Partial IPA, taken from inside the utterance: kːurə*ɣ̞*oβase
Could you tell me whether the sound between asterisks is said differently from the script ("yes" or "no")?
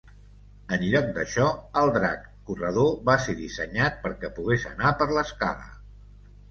yes